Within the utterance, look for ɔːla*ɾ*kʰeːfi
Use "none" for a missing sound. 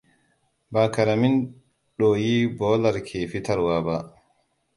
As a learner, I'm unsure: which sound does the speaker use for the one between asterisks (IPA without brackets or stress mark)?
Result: ɾ